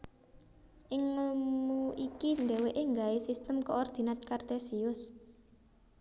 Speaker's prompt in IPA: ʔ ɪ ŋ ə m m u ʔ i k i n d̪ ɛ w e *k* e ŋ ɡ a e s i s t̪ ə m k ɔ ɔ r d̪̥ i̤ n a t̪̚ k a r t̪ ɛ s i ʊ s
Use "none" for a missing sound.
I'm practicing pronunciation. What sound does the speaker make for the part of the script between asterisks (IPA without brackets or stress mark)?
ʔ